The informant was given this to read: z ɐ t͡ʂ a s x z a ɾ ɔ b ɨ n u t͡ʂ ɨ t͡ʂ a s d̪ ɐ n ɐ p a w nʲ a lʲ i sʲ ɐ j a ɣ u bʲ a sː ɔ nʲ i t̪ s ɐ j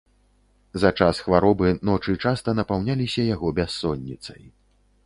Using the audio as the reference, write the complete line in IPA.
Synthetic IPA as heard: z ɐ t͡ʂ a s x v a ɾ ɔ b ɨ n ɔ t͡ʂ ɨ t͡ʂ a s t̪ ɐ n ɐ p a w nʲ a lʲ i sʲ ɐ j a ɣ ɔ bʲ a sː ɔ nʲː i t̪ s ɐ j